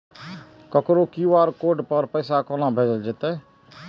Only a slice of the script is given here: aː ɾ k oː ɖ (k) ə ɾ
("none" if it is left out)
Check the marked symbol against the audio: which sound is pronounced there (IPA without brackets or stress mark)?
p